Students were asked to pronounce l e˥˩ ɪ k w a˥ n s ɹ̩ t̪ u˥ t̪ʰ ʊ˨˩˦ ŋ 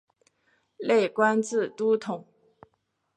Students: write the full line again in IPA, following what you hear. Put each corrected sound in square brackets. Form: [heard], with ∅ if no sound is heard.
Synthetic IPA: l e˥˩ ɪ k w a˥ n [t͡s] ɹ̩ t̪ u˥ t̪ʰ ʊ˨˩˦ ŋ